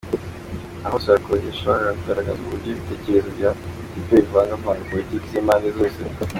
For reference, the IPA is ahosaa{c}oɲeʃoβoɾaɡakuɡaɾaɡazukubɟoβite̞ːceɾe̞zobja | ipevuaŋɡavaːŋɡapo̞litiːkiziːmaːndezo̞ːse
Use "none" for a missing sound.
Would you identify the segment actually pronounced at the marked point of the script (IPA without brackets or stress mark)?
k